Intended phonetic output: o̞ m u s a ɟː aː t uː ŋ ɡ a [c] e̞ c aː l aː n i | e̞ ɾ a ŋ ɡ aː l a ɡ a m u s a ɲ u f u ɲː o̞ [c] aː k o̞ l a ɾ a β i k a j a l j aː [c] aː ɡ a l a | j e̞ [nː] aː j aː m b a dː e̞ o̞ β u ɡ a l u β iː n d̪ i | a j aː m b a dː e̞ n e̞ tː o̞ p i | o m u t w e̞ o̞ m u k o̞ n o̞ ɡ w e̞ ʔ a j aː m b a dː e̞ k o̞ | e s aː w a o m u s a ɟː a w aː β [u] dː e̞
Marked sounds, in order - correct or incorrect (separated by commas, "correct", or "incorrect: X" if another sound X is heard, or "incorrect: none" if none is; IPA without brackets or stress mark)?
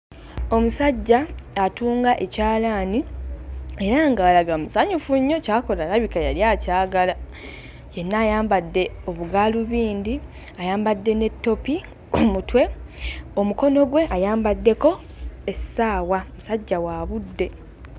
incorrect: ʔ, correct, correct, correct, correct